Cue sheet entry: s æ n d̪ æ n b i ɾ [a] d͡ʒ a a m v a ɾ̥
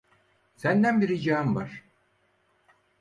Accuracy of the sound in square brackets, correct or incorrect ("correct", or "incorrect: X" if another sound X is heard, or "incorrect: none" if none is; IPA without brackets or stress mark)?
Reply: incorrect: i